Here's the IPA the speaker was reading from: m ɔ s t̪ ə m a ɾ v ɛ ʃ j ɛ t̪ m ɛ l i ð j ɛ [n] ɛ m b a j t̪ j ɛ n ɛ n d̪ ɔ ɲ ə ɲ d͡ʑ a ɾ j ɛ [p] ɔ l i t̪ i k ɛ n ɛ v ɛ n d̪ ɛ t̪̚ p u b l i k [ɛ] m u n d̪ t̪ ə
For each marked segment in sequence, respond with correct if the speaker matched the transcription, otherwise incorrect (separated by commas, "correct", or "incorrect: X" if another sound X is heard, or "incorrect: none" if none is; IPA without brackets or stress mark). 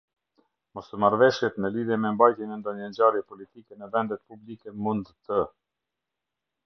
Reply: incorrect: m, correct, correct